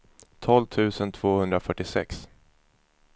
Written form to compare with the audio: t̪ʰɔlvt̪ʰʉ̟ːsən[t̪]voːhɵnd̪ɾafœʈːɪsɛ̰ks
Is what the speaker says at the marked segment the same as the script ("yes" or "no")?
no